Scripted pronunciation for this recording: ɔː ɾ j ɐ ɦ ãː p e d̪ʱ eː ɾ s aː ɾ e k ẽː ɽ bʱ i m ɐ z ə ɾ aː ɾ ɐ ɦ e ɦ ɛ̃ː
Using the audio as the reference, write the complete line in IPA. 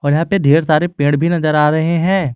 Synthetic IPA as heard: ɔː ɾ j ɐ ɦ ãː p e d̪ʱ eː ɾ s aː ɾ e p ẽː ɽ bʱ i n ɐ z ə ɾ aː ɾ ɐ ɦ e ɦ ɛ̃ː